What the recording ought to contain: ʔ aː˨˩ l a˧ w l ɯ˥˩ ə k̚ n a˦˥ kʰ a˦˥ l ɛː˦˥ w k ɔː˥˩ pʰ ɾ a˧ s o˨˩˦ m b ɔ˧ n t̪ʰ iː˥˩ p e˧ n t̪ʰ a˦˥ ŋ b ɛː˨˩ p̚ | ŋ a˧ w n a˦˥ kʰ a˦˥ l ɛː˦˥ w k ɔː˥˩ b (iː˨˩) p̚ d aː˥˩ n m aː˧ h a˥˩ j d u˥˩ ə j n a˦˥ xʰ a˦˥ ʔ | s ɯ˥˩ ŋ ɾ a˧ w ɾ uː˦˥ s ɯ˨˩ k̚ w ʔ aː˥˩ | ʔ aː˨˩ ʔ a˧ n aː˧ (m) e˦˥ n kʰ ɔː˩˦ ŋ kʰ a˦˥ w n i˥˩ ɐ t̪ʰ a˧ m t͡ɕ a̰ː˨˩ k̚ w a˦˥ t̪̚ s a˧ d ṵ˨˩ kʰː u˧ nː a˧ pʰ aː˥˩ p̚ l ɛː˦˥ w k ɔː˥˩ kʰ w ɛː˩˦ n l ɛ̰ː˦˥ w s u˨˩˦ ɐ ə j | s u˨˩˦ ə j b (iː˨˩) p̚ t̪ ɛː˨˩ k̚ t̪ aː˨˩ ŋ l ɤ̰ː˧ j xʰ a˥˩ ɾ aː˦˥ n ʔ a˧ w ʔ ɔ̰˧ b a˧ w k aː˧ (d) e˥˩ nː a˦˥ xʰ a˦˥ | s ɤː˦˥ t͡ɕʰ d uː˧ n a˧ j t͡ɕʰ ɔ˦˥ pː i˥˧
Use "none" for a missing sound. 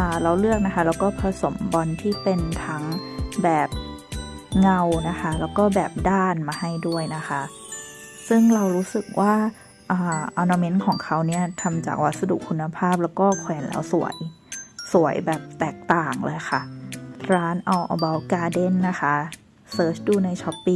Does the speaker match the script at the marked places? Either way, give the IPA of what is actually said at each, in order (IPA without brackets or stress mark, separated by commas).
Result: ɛː˨˩, m, ɛː˨˩, d